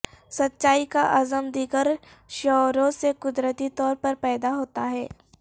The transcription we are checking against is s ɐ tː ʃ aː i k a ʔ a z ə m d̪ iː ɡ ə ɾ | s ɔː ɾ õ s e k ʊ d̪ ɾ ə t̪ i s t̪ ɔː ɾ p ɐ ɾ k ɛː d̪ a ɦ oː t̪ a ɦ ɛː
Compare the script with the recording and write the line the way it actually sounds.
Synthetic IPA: s ɐ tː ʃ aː i k a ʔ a z ə m d̪ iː ɡ ə ɾ | ʃ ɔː ɾ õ s e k ʊ d̪ ɾ ə t̪ i t̪ ɔː ɾ p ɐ ɾ p ɛː d̪ a ɦ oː t̪ a ɦ ɛː